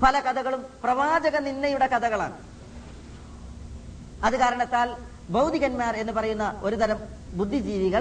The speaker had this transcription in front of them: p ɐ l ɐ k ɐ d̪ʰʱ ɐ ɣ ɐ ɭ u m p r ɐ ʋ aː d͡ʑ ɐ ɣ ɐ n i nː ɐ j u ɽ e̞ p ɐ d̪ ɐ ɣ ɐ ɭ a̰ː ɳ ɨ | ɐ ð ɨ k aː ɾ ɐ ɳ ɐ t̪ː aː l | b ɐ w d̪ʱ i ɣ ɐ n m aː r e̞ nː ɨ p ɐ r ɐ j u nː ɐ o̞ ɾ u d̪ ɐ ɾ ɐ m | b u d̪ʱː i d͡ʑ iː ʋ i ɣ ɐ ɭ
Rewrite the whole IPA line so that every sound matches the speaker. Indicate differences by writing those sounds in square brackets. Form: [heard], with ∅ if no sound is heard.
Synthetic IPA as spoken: p ɐ l ɐ k ɐ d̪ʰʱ ɐ ɣ ɐ ɭ u m p r ɐ ʋ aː d͡ʑ ɐ ɣ ɐ n i nː ɐ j u ɽ e̞ [k] ɐ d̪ ɐ ɣ ɐ ɭ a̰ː ɳ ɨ | ɐ ð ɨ k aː ɾ ɐ ɳ ɐ t̪ː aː l | b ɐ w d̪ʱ i ɣ ɐ n m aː r e̞ nː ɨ p ɐ r ɐ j u nː ɐ o̞ ɾ u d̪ ɐ ɾ ɐ m | b u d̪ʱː i d͡ʑ iː ʋ i ɣ ɐ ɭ